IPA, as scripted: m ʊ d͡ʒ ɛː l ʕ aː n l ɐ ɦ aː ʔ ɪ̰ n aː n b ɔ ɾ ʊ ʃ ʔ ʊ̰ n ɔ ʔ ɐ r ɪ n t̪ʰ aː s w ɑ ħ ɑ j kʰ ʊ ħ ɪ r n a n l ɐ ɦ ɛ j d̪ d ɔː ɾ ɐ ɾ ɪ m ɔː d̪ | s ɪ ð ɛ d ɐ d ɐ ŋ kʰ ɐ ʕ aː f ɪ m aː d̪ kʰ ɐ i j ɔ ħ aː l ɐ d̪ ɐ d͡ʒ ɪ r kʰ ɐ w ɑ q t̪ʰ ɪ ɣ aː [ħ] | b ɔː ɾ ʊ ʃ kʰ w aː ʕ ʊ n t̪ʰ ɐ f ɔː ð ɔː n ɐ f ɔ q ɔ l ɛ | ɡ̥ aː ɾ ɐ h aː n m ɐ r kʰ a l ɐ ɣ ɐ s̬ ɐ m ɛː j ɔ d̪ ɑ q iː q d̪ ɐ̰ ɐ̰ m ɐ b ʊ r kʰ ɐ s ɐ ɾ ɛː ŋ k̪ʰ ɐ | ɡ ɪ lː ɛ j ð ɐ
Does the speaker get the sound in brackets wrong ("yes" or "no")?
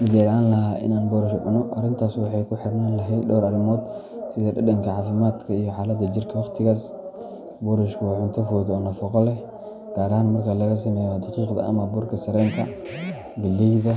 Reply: yes